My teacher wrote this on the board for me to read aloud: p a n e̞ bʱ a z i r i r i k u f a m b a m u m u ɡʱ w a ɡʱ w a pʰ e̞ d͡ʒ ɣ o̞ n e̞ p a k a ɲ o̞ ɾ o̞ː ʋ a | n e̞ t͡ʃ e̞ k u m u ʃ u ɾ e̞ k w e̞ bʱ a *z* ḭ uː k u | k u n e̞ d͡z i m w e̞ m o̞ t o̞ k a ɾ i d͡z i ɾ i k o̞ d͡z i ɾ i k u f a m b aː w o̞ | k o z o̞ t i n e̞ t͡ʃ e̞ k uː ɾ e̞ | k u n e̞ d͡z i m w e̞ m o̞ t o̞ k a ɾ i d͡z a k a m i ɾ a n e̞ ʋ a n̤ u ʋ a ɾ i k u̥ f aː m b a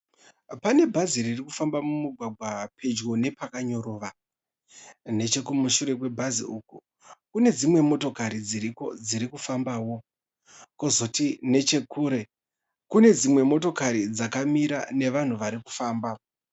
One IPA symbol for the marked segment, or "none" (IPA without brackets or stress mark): z